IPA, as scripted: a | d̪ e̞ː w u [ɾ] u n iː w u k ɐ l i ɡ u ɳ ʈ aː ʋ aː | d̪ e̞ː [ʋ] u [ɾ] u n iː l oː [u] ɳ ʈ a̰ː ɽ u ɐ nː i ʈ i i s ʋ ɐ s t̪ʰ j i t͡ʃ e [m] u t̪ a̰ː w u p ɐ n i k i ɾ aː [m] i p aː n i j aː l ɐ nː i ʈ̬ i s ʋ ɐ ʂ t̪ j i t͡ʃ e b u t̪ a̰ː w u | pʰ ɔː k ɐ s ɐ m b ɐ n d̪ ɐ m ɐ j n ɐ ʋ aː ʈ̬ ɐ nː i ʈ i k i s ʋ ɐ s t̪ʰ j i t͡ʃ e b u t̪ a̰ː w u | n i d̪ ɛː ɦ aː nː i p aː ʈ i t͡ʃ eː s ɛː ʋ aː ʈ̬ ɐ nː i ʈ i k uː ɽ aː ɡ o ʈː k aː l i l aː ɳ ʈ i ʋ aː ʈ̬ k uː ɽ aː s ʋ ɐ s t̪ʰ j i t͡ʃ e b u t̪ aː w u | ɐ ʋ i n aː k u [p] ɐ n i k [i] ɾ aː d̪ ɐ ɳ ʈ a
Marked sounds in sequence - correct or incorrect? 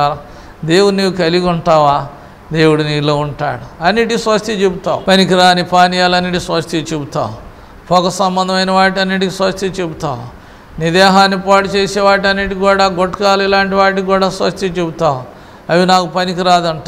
incorrect, incorrect, incorrect, correct, incorrect, incorrect, correct, correct

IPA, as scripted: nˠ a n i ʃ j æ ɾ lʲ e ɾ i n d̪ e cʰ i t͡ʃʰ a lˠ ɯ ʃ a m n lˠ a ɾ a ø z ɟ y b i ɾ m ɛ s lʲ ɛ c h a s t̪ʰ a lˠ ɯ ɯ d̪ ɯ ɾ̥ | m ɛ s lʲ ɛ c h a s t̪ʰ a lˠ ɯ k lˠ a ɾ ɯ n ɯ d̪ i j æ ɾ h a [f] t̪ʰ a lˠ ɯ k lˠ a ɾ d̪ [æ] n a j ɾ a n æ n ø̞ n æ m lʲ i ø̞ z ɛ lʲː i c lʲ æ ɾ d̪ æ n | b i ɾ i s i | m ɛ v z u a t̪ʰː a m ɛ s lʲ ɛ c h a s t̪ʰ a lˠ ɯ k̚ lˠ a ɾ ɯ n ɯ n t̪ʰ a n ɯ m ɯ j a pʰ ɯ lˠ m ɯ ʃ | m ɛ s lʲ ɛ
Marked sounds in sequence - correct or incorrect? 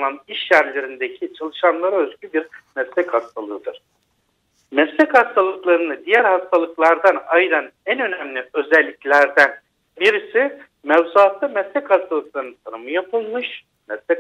incorrect, incorrect

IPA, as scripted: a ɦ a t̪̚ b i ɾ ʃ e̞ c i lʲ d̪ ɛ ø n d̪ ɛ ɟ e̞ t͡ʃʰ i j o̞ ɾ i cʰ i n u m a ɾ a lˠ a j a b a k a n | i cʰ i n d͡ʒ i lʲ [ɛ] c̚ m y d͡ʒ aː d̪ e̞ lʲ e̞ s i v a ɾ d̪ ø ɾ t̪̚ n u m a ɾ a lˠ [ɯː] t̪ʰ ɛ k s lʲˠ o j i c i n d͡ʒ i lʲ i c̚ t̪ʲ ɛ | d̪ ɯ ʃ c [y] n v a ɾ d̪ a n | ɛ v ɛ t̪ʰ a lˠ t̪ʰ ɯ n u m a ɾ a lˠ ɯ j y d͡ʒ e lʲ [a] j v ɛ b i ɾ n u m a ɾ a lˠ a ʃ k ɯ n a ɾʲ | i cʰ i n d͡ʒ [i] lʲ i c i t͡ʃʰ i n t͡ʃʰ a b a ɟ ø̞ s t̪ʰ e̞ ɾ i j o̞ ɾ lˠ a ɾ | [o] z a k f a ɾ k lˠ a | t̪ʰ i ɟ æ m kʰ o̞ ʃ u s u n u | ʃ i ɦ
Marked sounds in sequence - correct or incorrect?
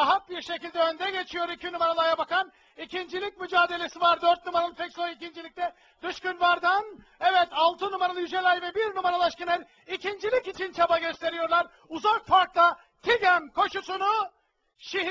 incorrect, incorrect, correct, correct, correct, incorrect

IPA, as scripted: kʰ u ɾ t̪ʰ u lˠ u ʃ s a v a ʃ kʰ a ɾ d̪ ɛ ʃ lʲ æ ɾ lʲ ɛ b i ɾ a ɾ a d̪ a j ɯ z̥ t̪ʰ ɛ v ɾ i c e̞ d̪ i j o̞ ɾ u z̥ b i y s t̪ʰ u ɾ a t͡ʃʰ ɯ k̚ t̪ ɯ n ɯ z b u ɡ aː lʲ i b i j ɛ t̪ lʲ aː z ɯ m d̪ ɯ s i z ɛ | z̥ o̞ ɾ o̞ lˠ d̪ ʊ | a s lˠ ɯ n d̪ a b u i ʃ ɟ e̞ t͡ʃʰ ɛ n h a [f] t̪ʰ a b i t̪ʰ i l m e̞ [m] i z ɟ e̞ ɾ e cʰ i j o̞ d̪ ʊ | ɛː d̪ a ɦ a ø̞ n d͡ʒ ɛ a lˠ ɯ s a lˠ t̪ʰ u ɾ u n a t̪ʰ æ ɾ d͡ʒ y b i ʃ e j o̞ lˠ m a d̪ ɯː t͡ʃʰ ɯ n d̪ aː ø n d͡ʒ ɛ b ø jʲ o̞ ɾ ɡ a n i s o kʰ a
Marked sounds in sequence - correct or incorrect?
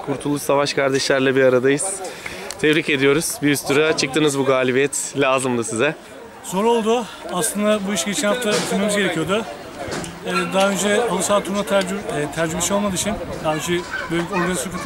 correct, correct

